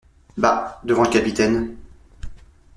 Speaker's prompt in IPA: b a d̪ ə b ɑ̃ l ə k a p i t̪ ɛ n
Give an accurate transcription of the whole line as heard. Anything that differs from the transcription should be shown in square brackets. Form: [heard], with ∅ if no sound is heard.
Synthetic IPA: b a d̪ ə [v] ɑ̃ l ə k a p i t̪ ɛ n